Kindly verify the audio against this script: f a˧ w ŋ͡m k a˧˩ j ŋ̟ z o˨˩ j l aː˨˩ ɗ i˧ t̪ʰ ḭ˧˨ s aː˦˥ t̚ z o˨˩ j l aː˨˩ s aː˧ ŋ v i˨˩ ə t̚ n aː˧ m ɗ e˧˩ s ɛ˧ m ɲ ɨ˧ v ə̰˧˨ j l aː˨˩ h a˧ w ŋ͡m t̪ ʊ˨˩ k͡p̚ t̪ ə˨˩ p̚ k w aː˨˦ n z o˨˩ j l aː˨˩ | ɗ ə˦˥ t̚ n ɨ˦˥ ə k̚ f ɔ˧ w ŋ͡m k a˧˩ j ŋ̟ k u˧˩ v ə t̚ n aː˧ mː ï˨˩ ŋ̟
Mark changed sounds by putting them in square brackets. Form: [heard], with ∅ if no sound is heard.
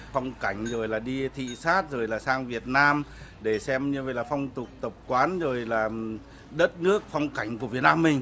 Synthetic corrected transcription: f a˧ w ŋ͡m k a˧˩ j ŋ̟ z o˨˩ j l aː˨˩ ɗ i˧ t̪ʰ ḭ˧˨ s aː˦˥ t̚ z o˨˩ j l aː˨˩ s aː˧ ŋ v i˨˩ ə t̚ n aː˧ m ɗ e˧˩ s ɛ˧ m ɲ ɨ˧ v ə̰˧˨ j l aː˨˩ [f] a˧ w ŋ͡m t̪ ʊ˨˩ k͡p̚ t̪ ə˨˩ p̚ k w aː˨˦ n z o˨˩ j l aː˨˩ | ɗ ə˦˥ t̚ n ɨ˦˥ ə k̚ f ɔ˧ w ŋ͡m k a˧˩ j ŋ̟ k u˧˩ v ə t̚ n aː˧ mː ï˨˩ ŋ̟